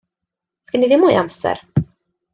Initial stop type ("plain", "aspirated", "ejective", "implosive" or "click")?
plain